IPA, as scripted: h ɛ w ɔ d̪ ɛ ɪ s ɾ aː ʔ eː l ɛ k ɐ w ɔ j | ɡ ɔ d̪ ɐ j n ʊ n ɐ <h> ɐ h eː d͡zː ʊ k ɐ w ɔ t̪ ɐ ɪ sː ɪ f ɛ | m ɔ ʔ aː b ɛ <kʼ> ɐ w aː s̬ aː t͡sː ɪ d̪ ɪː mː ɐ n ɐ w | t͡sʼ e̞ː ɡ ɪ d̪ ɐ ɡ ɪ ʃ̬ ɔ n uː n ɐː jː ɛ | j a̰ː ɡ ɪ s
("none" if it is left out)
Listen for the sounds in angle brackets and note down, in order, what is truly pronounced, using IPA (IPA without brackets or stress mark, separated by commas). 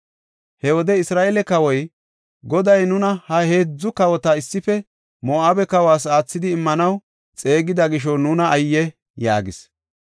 h, k